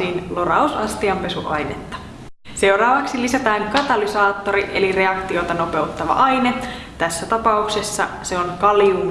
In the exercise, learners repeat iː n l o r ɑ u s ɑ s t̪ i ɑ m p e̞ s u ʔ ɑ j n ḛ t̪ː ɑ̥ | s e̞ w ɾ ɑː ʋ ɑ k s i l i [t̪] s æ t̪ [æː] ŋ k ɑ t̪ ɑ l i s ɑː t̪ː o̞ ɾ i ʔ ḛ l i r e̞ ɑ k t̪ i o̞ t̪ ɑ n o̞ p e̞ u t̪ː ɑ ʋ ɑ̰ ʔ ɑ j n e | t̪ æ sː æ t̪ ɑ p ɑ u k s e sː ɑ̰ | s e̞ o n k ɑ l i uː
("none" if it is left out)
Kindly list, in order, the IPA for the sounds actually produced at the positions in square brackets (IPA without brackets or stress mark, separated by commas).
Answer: none, æː